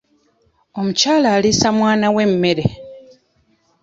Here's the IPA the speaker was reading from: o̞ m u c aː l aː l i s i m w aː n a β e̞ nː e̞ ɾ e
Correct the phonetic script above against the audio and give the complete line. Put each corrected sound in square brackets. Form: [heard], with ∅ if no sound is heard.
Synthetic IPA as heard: o̞ m u c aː l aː l i s [a] m w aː n a [w] e̞ [mː] e̞ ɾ e